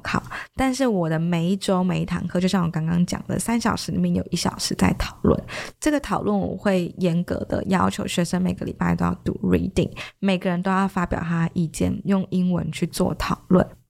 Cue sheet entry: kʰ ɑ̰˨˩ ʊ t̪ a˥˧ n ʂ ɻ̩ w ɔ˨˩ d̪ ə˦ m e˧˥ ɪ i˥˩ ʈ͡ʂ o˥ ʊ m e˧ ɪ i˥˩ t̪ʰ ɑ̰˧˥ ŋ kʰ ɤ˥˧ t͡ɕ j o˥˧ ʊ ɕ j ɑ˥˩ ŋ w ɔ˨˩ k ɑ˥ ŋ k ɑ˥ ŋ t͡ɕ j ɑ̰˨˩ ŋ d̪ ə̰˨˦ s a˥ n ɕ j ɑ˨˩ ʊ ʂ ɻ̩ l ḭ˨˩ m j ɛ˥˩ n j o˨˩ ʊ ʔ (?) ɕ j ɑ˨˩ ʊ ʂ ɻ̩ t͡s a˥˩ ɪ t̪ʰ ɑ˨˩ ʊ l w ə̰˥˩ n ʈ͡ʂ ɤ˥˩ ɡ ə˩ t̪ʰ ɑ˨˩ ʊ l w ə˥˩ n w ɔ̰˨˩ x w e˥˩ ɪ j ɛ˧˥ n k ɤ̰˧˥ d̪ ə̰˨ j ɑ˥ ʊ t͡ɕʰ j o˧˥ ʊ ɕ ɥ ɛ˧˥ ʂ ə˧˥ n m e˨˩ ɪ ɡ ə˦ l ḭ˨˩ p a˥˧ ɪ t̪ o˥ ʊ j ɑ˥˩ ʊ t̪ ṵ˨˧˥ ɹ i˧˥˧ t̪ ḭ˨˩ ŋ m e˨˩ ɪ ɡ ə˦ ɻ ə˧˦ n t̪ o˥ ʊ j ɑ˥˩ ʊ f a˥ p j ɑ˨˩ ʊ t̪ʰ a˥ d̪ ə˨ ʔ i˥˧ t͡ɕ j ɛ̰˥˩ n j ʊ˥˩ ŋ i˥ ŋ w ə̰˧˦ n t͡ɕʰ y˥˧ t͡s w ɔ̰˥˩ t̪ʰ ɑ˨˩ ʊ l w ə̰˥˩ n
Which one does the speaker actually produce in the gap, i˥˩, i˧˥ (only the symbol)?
i˥˩